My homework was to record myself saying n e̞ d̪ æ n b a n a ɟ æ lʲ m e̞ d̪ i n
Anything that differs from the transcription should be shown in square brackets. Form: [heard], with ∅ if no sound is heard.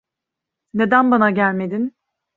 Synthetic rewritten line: n e̞ d̪ æ n b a n a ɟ æ lʲ m e̞ d̪ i n